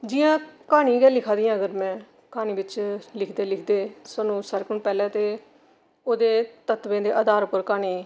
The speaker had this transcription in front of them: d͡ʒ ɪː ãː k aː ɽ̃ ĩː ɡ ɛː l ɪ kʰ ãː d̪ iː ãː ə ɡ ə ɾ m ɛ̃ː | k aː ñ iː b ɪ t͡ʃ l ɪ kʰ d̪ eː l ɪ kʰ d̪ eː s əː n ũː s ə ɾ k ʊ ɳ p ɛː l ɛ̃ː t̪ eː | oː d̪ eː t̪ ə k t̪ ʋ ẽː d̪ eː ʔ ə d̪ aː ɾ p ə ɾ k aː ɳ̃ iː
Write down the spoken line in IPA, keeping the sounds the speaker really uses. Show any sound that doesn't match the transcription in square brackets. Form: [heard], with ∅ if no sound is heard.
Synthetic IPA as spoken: d͡ʒ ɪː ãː k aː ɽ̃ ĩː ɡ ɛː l ɪ kʰ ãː d̪ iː ãː ə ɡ ə ɾ m ɛ̃ː | k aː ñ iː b ɪ t͡ʃ l ɪ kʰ d̪ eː l ɪ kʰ d̪ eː s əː n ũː s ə ɾ k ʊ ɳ p ɛː l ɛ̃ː t̪ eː | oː d̪ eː t̪ ə [∅] t̪ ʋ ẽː d̪ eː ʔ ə d̪ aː ɾ p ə ɾ k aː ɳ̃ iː